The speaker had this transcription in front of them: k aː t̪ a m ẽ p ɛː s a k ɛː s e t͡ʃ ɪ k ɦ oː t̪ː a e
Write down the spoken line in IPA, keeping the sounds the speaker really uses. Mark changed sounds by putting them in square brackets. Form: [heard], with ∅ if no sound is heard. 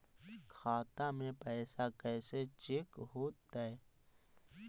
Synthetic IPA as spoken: [kʰ] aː t̪ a m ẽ p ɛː s a k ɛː s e t͡ʃ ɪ k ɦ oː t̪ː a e